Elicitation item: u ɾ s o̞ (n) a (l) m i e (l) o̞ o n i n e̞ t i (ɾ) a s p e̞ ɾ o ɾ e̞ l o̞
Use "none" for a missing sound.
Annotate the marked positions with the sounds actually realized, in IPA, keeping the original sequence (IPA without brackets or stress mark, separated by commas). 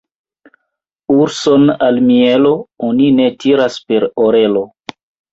n, l, l, ɾ